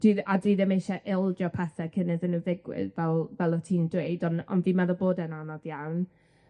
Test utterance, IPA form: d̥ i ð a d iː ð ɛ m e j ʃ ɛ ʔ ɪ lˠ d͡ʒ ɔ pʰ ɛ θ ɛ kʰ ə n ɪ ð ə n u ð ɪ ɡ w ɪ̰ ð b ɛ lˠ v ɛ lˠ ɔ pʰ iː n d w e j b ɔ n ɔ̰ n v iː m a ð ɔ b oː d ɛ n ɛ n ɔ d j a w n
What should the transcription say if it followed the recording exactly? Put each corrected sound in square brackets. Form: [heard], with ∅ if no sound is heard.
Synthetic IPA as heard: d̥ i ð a d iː ð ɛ m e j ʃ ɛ ʔ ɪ lˠ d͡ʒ ɔ pʰ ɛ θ ɛ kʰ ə n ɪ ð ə n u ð ɪ ɡ w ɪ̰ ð [v] ɛ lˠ v ɛ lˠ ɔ [tʰ] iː n d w e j [d] ɔ n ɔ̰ n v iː m a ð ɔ b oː d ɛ n [a] n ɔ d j a w n